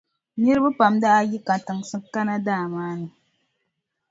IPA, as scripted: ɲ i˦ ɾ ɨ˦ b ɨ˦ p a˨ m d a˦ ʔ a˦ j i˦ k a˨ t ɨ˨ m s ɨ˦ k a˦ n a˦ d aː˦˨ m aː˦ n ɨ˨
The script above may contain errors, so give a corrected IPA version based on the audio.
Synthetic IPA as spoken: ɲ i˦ ɾ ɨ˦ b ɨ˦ p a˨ m d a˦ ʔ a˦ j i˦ k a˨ t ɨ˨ ŋ s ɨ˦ k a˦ n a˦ d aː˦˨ m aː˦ n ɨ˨